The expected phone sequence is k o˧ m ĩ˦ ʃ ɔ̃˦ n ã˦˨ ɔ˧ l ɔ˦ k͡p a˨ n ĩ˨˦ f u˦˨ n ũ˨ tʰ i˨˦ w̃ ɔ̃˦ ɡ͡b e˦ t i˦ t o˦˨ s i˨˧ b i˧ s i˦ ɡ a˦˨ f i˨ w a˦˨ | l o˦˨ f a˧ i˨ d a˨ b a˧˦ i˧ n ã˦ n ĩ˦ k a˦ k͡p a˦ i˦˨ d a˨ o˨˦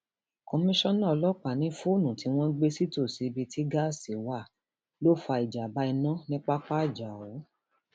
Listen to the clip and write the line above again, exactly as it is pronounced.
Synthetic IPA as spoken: k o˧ m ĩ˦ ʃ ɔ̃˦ n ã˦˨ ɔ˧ l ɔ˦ k͡p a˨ n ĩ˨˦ f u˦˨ n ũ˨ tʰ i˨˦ w̃ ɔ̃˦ ɡ͡b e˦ s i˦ t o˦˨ s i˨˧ b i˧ t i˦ ɡ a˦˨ s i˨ w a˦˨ | l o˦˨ f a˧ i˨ d͡ʒ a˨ b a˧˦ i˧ n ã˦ n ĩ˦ k͡p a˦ k͡p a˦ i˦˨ d͡ʒ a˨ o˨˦